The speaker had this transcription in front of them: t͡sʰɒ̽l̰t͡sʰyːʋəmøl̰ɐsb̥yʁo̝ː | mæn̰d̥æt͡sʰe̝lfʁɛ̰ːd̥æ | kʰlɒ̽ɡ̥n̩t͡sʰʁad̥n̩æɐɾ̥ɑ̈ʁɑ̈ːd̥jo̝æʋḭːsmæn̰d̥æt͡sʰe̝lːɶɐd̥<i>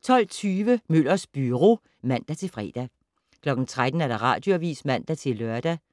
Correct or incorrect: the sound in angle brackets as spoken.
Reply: incorrect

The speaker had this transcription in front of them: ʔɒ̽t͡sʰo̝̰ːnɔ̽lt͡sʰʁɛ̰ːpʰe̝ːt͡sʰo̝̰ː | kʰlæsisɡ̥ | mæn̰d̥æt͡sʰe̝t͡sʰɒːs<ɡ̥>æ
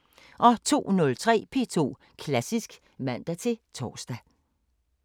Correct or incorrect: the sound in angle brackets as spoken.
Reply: incorrect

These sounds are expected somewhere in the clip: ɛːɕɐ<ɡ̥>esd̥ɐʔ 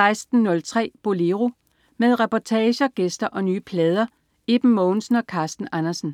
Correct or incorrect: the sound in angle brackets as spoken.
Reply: correct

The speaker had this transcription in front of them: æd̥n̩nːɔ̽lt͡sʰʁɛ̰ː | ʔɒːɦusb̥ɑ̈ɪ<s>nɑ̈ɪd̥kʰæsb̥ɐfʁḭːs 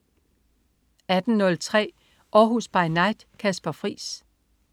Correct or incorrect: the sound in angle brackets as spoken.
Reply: incorrect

